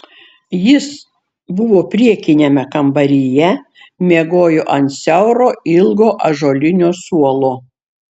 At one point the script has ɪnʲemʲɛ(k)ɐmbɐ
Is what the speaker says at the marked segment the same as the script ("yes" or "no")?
yes